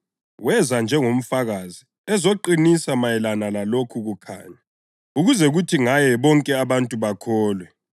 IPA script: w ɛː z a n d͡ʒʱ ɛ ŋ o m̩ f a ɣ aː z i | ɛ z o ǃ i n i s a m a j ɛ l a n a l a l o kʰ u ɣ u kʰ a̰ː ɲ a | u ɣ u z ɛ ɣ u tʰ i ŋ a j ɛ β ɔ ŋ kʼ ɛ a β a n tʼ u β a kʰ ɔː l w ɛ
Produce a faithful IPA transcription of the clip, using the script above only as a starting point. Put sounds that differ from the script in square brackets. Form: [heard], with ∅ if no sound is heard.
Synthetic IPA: w [ɛ] z a n d͡ʒʱ ɛ ŋ o m̩ f a ɣ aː z i | ɛ z o ǃ i n i s a m a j ɛ l a n a l a l o kʰ u ɣ u kʰ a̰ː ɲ a | u ɣ u z ɛ ɣ u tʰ i ŋ a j ɛ β ɔ ŋ kʼ ɛ a β a n tʼ u β a kʰ ɔː l w ɛ